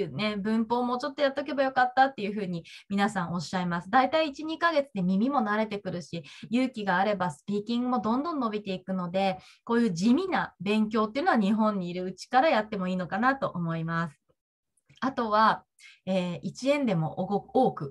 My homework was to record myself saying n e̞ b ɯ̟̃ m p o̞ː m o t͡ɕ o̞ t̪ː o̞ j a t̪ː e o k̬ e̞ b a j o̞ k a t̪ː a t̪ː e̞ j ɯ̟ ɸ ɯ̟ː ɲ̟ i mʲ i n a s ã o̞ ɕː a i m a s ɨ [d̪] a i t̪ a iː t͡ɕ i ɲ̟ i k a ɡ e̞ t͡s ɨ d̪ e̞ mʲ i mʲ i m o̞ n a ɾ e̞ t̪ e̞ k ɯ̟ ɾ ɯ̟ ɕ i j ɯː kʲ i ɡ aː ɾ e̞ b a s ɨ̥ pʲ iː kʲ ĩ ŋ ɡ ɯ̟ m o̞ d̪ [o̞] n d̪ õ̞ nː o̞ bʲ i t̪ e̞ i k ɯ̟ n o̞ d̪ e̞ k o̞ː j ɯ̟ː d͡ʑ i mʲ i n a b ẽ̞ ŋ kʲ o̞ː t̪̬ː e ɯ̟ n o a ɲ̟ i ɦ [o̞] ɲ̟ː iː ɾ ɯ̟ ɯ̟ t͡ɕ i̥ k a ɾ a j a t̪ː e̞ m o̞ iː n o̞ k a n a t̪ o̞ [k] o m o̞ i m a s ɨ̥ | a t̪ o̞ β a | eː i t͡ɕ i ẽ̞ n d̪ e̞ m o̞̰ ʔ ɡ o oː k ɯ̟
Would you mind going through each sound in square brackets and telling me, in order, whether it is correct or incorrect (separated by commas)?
correct, incorrect, incorrect, incorrect